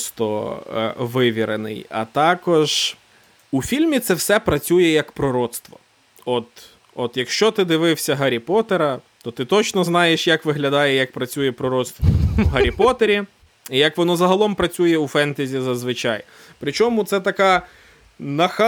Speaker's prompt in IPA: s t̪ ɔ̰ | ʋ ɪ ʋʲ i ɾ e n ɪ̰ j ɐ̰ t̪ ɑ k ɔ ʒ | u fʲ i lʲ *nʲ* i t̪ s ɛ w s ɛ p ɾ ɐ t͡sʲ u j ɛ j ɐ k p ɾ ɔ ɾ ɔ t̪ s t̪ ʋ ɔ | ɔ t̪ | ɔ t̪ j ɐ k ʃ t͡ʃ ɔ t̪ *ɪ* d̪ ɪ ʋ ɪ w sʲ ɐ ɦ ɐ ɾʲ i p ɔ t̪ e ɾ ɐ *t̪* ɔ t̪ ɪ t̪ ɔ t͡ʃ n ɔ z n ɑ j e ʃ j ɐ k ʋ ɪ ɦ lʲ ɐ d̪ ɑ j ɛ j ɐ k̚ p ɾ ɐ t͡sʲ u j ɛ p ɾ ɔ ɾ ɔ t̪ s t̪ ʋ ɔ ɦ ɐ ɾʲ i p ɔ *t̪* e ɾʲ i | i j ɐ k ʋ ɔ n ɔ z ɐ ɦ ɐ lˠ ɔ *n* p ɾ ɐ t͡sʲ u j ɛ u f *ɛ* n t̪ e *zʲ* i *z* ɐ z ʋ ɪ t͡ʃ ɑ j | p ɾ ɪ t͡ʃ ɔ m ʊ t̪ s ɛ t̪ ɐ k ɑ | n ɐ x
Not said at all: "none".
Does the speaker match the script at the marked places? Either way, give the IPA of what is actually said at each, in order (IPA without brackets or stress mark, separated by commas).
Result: mʲ, ɪ, t̪, t̪, m, ɛ, zʲ, z